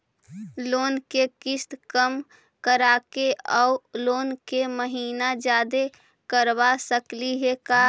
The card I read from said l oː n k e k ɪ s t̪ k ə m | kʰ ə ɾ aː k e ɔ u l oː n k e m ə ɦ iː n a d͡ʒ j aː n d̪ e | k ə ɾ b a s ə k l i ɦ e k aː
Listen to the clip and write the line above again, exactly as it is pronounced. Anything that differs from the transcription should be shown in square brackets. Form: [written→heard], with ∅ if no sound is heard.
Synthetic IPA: l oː n k e k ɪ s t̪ k ə m | [kʰ→k] ə ɾ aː k e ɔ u l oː n k e m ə ɦ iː n a d͡ʒ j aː [n→∅] d̪ e | k ə ɾ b a s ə k l i ɦ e k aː